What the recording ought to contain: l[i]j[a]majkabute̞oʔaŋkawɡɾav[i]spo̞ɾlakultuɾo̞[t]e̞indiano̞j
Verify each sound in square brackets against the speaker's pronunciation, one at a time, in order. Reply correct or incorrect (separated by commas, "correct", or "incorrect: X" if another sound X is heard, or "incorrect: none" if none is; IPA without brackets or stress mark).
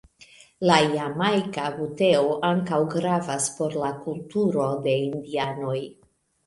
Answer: incorrect: a, correct, incorrect: a, incorrect: d